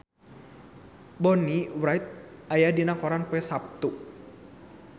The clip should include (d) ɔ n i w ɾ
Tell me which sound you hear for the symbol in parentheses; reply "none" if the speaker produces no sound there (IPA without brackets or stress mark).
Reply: b